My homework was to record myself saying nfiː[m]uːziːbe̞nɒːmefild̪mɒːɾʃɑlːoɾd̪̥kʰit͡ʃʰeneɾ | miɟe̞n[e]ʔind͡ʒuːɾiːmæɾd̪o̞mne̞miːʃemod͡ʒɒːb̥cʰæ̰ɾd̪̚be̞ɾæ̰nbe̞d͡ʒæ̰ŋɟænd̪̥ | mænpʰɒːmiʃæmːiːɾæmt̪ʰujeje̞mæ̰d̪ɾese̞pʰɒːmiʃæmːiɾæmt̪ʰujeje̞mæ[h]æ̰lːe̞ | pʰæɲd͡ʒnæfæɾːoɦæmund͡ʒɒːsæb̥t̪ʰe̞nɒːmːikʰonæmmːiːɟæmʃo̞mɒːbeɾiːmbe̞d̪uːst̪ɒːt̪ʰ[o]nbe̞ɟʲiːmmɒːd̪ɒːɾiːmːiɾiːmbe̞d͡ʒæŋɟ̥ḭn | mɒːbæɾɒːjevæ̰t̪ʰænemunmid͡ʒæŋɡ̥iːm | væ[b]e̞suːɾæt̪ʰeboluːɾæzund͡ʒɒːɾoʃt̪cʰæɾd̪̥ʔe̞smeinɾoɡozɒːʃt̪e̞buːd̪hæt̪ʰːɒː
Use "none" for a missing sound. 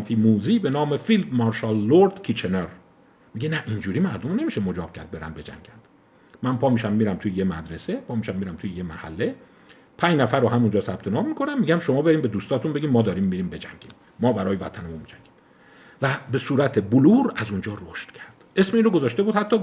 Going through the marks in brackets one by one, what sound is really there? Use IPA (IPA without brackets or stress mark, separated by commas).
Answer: m, æ, h, u, b